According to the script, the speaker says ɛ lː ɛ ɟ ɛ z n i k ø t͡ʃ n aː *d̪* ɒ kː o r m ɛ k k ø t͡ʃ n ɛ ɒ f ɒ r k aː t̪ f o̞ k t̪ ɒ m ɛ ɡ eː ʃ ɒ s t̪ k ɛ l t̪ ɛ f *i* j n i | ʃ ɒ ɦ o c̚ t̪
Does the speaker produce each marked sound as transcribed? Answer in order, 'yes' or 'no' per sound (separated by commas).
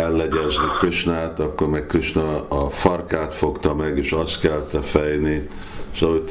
no, no